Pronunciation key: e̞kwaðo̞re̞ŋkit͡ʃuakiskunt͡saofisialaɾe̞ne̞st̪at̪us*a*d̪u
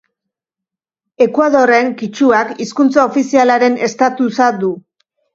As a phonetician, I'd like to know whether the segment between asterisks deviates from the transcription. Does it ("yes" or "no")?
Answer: no